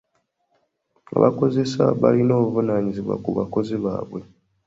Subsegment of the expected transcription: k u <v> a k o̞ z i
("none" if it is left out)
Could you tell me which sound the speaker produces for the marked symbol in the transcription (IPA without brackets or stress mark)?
β